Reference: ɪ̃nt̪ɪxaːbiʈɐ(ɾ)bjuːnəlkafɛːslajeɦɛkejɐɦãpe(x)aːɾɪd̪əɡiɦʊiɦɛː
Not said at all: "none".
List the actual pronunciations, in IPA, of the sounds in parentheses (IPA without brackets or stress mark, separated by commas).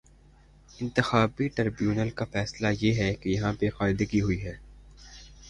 ɾ, x